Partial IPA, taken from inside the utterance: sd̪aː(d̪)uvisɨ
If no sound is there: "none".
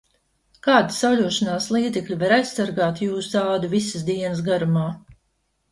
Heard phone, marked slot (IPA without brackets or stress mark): d̪